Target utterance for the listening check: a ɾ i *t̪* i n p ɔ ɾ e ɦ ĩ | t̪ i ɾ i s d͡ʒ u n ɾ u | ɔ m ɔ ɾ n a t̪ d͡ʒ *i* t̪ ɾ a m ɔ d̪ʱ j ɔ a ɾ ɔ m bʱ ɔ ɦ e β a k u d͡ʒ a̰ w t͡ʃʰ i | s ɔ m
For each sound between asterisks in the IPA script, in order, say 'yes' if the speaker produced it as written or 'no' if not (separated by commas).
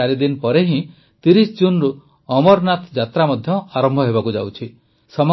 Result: no, no